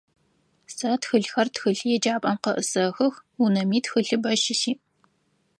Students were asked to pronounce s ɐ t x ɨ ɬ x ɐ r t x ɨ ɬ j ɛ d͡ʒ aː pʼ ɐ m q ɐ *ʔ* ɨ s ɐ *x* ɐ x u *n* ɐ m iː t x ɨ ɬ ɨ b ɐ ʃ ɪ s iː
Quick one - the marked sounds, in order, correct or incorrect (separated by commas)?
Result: correct, correct, correct